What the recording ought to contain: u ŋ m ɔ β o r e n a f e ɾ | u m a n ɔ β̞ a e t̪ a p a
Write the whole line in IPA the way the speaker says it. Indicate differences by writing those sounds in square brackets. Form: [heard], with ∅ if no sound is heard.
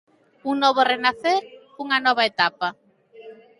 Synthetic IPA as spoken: u ŋ [n] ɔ β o r e n a [θ] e ɾ | u [ŋ] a n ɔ β̞ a e t̪ a p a